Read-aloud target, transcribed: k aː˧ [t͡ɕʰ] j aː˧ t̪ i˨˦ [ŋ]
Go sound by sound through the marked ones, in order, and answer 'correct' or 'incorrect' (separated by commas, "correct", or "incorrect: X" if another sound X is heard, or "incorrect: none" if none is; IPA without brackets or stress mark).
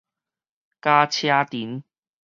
correct, incorrect: n